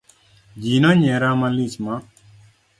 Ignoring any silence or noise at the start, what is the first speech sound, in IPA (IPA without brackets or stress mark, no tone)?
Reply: d͡ʒ